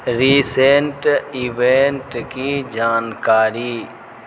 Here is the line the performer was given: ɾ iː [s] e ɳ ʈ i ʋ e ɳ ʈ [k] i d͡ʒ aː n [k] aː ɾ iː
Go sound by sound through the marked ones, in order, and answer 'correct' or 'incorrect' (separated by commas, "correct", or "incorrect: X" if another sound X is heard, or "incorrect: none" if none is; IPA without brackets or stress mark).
correct, correct, correct